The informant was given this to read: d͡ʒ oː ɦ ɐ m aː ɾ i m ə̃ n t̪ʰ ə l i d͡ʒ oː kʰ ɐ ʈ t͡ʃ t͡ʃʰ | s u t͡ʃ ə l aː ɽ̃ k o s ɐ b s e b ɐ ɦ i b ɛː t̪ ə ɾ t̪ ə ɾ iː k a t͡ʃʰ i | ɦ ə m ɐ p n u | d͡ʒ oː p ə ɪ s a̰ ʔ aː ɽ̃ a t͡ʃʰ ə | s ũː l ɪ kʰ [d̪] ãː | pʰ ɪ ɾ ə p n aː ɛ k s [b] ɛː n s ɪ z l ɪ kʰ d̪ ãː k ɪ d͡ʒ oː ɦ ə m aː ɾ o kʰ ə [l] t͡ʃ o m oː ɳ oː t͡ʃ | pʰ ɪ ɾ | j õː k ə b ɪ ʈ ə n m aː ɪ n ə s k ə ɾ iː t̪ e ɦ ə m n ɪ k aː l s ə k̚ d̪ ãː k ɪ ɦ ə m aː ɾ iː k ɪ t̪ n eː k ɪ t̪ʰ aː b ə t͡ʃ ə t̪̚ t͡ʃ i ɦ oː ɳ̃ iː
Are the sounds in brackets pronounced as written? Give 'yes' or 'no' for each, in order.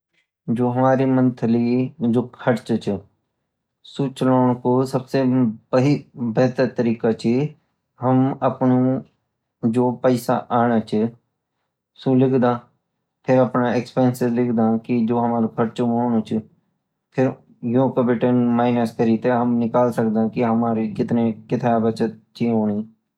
yes, no, no

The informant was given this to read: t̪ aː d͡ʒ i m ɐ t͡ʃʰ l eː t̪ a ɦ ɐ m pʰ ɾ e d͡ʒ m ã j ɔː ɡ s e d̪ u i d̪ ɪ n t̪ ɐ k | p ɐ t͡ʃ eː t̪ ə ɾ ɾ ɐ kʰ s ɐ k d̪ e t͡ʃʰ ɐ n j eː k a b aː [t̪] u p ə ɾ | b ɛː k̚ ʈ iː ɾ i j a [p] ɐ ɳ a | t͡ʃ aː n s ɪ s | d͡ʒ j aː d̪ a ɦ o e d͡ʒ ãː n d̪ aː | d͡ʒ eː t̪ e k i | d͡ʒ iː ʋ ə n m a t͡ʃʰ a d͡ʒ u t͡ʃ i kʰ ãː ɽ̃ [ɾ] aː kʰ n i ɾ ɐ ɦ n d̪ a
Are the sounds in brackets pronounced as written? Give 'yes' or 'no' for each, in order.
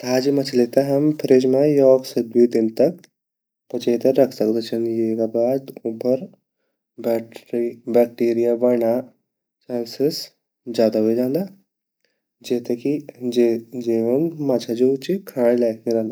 no, no, no

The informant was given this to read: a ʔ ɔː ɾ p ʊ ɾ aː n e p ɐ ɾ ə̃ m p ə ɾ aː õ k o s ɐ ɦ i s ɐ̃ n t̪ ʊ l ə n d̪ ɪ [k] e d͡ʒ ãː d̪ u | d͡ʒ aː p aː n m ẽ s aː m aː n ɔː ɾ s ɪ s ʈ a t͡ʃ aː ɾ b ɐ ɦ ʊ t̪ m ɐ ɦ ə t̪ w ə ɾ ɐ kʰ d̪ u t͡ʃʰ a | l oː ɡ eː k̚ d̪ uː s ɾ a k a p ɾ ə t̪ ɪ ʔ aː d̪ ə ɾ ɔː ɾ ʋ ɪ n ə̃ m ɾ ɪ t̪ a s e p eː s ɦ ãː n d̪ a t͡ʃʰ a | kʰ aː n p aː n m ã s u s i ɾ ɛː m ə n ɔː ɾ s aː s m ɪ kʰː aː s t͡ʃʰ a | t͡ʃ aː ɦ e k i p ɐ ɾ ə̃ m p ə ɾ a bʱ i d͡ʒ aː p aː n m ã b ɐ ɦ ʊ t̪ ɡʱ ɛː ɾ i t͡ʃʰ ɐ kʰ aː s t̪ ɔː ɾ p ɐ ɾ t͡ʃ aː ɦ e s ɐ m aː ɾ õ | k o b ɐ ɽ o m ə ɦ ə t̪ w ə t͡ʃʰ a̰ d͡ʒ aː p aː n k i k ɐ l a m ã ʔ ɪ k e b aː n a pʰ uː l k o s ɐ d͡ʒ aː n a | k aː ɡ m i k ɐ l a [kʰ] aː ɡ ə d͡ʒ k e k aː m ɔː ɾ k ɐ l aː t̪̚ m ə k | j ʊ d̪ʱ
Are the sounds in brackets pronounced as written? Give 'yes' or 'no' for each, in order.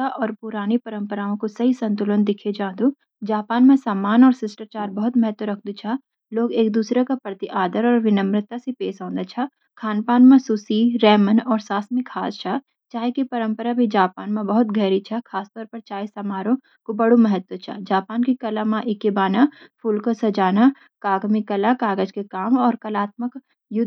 no, no

